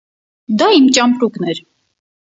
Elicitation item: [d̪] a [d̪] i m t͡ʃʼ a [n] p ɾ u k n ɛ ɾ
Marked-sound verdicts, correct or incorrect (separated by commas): correct, incorrect, incorrect